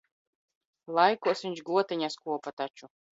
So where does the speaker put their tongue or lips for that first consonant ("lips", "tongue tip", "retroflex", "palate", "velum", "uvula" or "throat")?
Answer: tongue tip